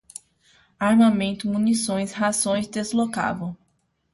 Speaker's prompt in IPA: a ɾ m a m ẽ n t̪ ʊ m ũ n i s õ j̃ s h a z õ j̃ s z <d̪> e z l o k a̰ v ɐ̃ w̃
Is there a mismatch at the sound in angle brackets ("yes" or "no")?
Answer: no